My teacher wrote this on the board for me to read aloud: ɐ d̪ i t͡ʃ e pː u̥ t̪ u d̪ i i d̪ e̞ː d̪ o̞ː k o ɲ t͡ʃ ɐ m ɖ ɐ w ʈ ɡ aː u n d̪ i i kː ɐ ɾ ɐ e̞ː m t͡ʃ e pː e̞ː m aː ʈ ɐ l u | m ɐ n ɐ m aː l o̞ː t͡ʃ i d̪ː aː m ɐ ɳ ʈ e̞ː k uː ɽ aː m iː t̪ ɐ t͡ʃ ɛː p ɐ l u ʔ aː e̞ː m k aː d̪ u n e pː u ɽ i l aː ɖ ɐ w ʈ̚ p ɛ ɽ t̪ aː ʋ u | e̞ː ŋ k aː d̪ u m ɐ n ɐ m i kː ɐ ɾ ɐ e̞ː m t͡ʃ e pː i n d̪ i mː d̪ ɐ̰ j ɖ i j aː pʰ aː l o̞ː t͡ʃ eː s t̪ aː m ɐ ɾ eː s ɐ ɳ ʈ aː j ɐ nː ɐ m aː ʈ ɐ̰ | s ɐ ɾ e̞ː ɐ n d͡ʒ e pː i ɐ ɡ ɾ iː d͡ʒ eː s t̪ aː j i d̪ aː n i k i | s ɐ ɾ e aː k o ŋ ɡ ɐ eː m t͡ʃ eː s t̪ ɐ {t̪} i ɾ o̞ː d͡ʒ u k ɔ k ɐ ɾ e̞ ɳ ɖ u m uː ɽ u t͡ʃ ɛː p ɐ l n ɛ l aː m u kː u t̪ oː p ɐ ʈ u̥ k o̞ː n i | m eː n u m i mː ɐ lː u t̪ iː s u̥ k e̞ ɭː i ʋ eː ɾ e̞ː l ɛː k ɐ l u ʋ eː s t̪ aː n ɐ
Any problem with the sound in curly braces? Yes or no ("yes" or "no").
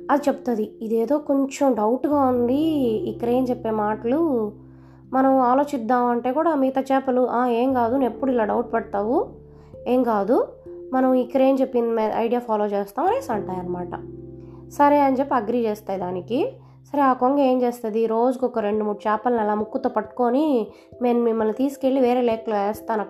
yes